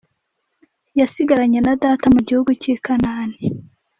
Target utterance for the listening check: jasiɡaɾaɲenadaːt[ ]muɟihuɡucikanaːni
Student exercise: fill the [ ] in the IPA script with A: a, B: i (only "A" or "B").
A